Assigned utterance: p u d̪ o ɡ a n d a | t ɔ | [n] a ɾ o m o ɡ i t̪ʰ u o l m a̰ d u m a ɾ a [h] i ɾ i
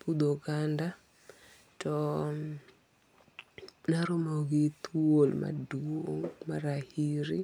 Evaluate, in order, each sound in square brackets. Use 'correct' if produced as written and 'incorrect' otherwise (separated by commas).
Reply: correct, correct